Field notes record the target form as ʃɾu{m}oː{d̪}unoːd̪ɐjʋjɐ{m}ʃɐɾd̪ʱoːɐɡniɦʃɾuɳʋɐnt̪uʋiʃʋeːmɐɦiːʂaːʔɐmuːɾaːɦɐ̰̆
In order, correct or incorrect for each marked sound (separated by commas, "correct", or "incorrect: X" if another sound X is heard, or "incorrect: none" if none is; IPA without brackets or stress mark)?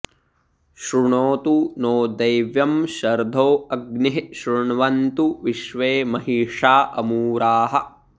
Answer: incorrect: ɳ, incorrect: t̪, correct